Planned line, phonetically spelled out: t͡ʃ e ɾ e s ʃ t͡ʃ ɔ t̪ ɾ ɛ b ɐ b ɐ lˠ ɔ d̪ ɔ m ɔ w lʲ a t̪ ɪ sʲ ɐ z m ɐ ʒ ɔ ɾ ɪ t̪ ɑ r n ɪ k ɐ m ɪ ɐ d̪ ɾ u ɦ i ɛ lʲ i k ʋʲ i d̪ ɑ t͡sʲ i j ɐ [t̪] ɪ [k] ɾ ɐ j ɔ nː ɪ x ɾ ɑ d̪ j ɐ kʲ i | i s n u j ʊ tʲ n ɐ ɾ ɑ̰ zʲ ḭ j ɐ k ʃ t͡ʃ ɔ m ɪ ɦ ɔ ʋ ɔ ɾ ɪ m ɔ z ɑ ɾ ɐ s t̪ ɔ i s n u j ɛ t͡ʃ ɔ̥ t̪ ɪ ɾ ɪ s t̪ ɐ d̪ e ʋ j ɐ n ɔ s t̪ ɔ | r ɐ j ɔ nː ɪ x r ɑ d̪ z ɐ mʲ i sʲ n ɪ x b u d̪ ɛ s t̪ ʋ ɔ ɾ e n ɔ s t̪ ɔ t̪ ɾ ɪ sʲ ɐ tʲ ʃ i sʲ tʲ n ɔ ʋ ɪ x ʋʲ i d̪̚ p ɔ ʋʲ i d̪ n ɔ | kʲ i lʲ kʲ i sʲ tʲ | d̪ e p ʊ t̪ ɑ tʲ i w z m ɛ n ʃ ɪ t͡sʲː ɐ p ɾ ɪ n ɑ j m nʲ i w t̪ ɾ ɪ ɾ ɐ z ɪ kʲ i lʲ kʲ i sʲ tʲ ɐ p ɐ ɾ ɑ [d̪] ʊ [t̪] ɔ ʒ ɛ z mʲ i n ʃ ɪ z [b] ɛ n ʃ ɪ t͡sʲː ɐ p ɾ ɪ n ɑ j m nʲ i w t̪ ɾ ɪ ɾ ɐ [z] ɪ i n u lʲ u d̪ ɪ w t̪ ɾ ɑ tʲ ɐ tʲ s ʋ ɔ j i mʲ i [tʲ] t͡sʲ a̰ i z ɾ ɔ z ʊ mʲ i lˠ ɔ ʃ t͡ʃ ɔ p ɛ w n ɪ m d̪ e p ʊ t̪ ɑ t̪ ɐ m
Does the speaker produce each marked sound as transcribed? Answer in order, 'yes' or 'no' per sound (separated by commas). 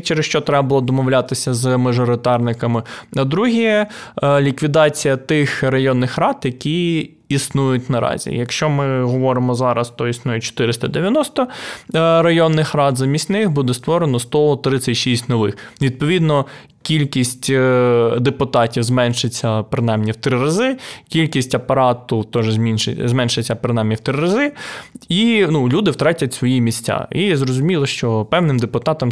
yes, no, no, yes, no, yes, no